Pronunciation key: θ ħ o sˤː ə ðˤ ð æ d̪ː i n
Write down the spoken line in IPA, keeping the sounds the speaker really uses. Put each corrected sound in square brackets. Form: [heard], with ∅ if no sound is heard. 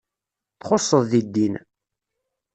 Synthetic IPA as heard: θ [χ] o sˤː ə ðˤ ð [i] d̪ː i n